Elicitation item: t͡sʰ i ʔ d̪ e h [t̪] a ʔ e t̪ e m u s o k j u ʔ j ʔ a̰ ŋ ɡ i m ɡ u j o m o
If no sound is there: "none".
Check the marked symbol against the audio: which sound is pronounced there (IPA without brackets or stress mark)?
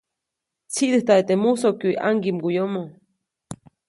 t̪